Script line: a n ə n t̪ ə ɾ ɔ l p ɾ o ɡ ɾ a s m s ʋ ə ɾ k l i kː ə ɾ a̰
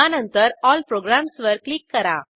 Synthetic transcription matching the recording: a n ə n t̪ ə ɾ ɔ l p ɾ o ɡ ɾ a m s ʋ ə ɾ k l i kː ə ɾ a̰

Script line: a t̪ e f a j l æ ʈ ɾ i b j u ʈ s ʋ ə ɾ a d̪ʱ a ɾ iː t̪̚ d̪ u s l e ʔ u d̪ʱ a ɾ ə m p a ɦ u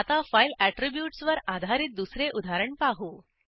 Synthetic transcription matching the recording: a t̪ a f a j l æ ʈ ɾ i b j u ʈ s ʋ ə ɾ a d̪ʱ a ɾ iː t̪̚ d̪ u s ɾ e ʔ u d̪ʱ a ɾ ə ɳ p a ɦ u

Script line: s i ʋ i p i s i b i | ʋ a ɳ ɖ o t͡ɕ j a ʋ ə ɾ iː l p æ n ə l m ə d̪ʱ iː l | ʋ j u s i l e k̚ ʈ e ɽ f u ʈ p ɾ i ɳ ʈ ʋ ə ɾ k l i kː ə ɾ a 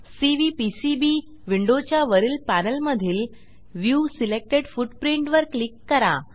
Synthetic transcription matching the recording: s i ʋ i p i s i b i | ʋ i ɳ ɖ o t͡ɕ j a ʋ ə ɾ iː l p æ n ə l m ə d̪ʱ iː l | ʋ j u s i l e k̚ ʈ e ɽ f u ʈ p ɾ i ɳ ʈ ʋ ə ɾ k l i kː ə ɾ a

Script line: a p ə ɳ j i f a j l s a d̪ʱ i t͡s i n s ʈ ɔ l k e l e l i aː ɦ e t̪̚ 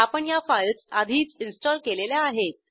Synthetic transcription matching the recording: a p ə ɳ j a f a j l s a d̪ʱ iː t͡s i n s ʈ ɔ l k e l e l j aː ɦ e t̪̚

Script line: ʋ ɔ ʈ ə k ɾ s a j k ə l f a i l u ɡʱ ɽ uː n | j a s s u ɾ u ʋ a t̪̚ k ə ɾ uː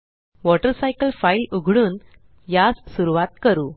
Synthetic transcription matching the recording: ʋ ɔ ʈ ə ɾ s a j k ə l f a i l u ɡʱ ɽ uː n | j a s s u ɾ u ʋ a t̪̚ k ə ɾ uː

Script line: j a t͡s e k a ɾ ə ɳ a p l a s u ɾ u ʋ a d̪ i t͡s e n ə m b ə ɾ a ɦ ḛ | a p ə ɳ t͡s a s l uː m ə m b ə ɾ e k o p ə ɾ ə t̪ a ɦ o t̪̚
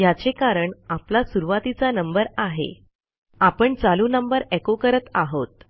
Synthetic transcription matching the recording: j a t͡s e k a ɾ ə ɳ a p l a s u ɾ u ʋ a t̪ i t͡s a n ə m b ə ɾ a ɦ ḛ | a p ə ɳ t͡s a l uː n ə m b ə ɾ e k o k ə ɾ ə t̪ a ɦ o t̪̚

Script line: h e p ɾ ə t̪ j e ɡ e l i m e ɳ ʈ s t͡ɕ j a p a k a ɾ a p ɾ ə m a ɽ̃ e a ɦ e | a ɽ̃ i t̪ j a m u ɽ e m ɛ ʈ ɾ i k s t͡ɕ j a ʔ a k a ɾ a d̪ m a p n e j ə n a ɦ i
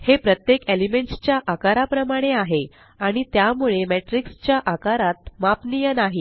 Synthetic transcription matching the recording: h e p ɾ ə t̪ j e k e l i m e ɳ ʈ s t͡ɕ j a ʔ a k a ɾ a p ɾ ə m a ɽ̃ e a ɦ e | a ɽ̃ i t̪ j a m u ɭ e m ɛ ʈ ɾ i k s t͡ɕ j a ʔ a k a ɾ a t̪ m a p n i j ə n a ɦ i

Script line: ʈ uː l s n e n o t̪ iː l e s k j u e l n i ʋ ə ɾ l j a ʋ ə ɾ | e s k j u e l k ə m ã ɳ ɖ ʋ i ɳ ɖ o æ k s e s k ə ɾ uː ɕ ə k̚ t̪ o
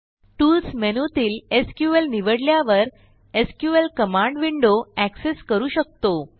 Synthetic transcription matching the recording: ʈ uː l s m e n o t̪ iː l e s k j u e l n i ʋ ə ɽ l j a ʋ ə ɾ | e s k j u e l k ə m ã ɳ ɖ ʋ i ɳ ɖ o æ k s e s k ə ɾ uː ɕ ə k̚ t̪ o

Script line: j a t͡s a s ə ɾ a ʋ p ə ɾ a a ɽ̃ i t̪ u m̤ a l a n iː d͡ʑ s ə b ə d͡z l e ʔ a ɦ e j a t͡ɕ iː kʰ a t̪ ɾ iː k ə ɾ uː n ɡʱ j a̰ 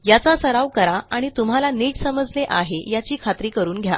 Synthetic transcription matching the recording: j a t͡s a s ə ɾ a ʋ k ə ɾ a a ɽ̃ i t̪ u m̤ a l a n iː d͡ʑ s ə m ə d͡z l e ʔ a ɦ e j a t͡ɕ iː kʰ a t̪ ɾ iː k ə ɾ uː n ɡʱ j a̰

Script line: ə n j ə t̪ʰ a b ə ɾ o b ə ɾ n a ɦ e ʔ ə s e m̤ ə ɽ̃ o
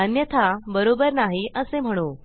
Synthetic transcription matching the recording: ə n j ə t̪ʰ a b ə ɾ o b ə ɾ n a ɦ i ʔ ə s e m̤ ə ɽ̃ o

